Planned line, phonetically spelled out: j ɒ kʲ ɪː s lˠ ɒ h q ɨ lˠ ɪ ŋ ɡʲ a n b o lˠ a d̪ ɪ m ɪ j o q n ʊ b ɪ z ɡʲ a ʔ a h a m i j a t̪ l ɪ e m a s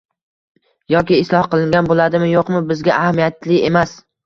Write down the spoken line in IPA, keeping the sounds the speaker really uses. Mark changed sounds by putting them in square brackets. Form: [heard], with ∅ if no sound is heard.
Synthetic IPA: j ɒ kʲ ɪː s lˠ ɒ h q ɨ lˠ ɪ ŋ ɡʲ a n b o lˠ a d̪ ɪ m ɪ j o q [m] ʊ b ɪ z ɡʲ a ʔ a h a m i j a t̪ l ɪ e m a s